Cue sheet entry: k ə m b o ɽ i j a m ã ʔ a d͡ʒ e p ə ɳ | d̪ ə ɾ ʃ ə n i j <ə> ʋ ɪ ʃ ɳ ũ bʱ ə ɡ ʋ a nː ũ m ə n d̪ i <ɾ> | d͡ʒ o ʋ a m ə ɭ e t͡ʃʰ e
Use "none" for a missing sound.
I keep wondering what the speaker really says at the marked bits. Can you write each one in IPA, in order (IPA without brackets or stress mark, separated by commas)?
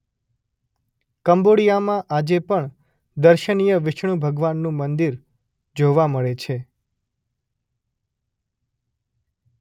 ə, ɾ